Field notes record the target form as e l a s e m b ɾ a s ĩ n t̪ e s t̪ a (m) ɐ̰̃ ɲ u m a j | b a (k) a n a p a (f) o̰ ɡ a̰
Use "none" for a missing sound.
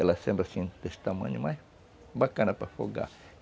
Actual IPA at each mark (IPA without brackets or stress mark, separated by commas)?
m, k, f